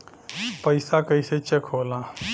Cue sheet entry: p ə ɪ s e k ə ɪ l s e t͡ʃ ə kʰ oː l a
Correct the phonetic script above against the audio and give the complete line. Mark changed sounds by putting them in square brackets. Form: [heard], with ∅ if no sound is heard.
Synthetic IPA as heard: p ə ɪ s [a] k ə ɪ [∅] s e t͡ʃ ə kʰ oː l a